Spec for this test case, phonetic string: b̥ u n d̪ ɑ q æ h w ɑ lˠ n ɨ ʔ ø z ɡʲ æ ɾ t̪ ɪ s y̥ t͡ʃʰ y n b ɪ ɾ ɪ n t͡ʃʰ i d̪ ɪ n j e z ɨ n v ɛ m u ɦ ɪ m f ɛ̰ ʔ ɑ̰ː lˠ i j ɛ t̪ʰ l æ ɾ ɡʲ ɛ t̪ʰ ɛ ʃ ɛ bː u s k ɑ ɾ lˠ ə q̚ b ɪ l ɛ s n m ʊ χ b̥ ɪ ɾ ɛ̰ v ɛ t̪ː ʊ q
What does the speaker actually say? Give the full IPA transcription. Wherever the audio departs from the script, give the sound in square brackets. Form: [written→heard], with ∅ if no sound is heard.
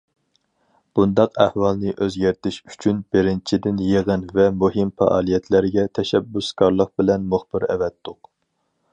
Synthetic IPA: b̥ u n d̪ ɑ q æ h w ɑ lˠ n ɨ ʔ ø z ɡʲ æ ɾ t̪ ɪ [s→ʃ] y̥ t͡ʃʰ y n b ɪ ɾ ɪ n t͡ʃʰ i d̪ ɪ n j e [z→ʁ] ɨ n v ɛ m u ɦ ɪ m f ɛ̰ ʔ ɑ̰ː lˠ i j ɛ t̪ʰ l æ ɾ ɡʲ ɛ t̪ʰ ɛ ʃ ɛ bː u s k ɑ ɾ lˠ ə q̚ b ɪ l ɛ [s→∅] n m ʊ χ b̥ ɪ ɾ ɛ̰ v ɛ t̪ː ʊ q